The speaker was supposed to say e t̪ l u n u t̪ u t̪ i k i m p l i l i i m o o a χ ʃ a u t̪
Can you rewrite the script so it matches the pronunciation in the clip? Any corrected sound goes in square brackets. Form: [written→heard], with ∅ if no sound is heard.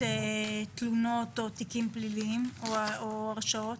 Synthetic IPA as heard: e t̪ l u n [u→o] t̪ [u→o] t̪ i k i m p l i l i i m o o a [χ→ʁ] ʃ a [u→o] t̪

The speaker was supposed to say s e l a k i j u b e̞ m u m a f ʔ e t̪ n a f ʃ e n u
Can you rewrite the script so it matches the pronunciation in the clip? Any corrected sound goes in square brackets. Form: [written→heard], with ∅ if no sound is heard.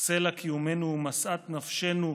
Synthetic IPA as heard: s e l a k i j u [b→m] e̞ [m→n] u m a [f→s] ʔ [e→a] t̪ n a f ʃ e n u

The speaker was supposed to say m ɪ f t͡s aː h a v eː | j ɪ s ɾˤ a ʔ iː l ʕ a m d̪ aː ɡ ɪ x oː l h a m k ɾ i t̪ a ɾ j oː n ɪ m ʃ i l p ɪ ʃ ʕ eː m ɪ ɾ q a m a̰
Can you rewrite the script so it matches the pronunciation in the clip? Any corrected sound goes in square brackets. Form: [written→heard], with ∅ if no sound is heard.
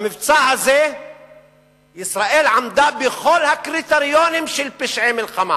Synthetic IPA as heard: m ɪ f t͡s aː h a [v→z] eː | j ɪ s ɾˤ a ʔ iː l ʕ a m d̪ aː [ɡ→b] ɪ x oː l h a [m→∅] k ɾ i t̪ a ɾ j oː n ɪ m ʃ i l p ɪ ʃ ʕ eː m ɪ [ɾ→l] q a m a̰

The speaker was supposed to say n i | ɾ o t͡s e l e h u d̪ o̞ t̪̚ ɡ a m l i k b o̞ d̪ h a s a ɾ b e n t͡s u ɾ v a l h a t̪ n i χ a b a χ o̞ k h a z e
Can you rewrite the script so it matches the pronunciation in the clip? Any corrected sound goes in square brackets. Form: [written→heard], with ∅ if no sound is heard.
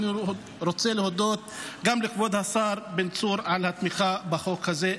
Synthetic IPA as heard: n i | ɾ o t͡s e l e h [u→o] d̪ o̞ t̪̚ ɡ a m l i k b o̞ d̪ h a s a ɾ b e n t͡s u ɾ [v→ʕ] a l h a t̪ [n→m] i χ a b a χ o̞ k h a z e

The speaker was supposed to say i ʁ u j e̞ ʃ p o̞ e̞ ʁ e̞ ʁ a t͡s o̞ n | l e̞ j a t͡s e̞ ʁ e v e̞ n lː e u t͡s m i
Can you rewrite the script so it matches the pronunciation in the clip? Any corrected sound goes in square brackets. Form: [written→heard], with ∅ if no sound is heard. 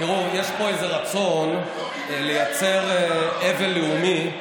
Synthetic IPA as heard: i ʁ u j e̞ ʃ p o̞ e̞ [ʁ→z] e̞ ʁ a t͡s o̞ n | l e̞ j a t͡s e̞ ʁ e v e̞ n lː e u [t͡s→∅] m i

